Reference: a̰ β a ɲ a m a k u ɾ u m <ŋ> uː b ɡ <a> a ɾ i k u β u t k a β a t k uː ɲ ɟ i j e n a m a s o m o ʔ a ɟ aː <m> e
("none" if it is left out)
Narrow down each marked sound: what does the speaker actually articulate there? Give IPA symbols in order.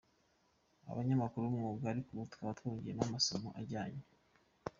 ŋ, a, ɲ

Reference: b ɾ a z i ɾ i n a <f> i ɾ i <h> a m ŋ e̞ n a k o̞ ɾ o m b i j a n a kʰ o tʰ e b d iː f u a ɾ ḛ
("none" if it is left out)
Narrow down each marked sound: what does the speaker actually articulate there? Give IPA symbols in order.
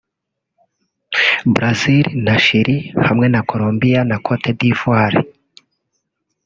ʃ, h

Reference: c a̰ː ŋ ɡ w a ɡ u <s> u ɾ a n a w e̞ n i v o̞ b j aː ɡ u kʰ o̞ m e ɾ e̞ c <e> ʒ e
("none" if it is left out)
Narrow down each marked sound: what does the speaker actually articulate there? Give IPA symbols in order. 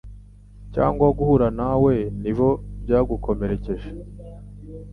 h, e

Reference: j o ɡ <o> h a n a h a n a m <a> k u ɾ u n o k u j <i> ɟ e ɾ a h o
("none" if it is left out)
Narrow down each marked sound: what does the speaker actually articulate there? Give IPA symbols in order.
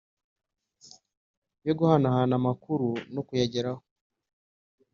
u, a, a

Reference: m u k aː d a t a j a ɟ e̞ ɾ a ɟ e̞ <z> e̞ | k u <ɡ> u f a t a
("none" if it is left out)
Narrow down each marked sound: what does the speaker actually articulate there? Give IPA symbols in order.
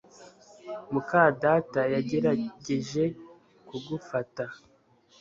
ʒ, ɡ

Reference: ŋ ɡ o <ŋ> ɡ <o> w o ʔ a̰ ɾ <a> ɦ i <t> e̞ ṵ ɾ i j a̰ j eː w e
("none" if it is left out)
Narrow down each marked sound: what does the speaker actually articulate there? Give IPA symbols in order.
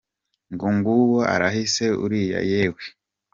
ŋ, u, a, s

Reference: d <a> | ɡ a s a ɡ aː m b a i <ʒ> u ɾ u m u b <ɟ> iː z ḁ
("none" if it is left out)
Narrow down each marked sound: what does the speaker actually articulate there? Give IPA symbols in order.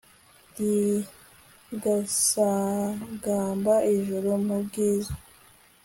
i, ʒ, ɡ

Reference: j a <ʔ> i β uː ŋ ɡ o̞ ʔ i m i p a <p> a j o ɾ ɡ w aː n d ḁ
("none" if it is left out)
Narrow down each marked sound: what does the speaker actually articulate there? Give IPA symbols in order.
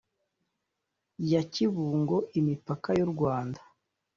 c, k

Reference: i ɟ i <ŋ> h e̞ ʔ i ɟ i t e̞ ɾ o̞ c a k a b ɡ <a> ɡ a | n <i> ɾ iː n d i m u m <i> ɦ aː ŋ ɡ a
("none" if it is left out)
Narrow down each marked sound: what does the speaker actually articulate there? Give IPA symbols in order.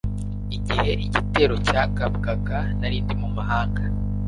none, a, a, a

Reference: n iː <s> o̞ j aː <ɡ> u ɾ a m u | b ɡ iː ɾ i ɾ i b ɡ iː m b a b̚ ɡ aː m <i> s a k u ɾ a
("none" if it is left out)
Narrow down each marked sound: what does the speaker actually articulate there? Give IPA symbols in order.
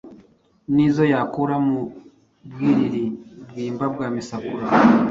z, k, i

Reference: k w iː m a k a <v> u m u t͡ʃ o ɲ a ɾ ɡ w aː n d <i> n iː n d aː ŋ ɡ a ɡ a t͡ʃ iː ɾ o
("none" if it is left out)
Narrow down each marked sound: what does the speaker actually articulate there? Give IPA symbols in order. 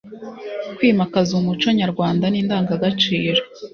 z, a

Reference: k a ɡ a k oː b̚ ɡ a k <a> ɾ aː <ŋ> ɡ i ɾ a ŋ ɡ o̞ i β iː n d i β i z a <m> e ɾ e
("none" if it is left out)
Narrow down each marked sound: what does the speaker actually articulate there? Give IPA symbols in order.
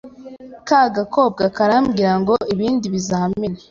a, m, m

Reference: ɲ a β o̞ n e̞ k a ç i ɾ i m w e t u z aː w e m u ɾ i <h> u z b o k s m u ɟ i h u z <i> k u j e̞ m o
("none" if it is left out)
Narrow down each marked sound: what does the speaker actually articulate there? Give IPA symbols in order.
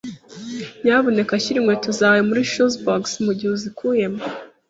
ʃ, i

